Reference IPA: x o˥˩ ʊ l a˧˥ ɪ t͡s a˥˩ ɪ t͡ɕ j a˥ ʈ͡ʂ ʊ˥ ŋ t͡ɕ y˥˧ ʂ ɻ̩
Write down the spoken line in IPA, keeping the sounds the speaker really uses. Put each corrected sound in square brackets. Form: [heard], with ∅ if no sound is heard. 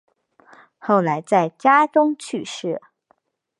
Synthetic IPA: x o˥˩ ʊ l a˧˥ ɪ t͡s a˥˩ ɪ t͡ɕ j a˥ ʈ͡ʂ ʊ˥ ŋ [t͡ɕʰ] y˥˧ ʂ ɻ̩